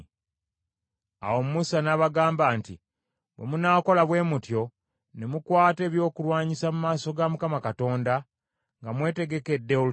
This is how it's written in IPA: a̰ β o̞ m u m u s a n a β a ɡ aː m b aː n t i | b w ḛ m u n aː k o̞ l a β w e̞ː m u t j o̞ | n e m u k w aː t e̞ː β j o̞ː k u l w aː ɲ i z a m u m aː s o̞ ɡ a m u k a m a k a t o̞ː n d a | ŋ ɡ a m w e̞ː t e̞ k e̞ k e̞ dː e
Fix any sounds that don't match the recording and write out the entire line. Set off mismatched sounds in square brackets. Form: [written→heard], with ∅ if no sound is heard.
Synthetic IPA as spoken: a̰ [β→w] o̞ m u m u s a n a β a ɡ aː m b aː n t i | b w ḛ m u n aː k o̞ l a β w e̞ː m u t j o̞ | n e m u k w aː t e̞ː β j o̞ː k u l w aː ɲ i [z→s] a m u m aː s o̞ ɡ a m u k a m a k a t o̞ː n d a | ŋ ɡ a m w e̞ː t e̞ [k→ɡ] e̞ k e̞ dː e